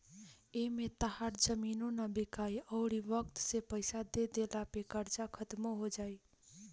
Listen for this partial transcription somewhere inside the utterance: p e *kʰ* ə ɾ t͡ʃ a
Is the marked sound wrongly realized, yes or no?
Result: yes